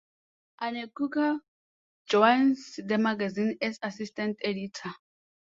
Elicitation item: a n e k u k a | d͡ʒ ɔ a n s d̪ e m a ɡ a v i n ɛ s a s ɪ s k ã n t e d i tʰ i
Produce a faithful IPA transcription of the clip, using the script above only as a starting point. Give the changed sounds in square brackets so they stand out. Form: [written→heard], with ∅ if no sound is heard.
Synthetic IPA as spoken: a n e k u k a | d͡ʒ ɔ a n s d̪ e m a ɡ a [v→z] i n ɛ s a s [ɪ→i] s [k→t] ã n t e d i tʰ [i→a]